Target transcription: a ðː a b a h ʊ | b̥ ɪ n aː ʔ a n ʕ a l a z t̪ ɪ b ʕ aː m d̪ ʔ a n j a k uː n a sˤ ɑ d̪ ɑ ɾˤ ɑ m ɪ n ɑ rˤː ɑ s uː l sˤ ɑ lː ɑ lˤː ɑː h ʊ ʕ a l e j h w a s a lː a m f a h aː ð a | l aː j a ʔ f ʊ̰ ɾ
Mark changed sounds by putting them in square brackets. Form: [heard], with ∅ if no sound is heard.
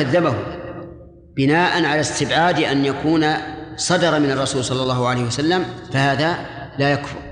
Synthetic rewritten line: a ðː a b a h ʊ | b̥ ɪ n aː ʔ a n ʕ a l a [s] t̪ ɪ b ʕ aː [∅] d̪ ʔ a n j a k uː n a sˤ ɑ d̪ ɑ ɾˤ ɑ m ɪ n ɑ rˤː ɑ s uː l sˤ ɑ lː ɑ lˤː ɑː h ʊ ʕ a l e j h w a s a lː a m f a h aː ð a | l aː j a [k] f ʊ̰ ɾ